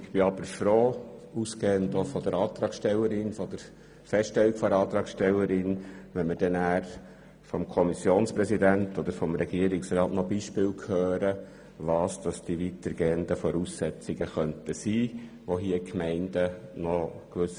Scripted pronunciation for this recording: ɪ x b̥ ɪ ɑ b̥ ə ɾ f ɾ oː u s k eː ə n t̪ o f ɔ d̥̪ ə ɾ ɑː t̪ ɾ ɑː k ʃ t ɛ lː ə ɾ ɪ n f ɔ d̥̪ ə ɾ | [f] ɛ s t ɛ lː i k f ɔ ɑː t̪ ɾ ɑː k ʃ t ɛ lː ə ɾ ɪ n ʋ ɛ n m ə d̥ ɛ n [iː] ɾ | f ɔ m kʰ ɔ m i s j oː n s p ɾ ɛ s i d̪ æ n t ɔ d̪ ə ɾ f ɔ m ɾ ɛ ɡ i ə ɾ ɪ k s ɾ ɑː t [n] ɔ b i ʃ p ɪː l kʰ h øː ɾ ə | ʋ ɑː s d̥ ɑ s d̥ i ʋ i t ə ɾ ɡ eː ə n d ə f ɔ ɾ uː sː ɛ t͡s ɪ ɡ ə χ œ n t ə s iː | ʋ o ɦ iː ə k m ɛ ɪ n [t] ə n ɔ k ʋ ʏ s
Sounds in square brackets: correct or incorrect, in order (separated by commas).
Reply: correct, incorrect, correct, incorrect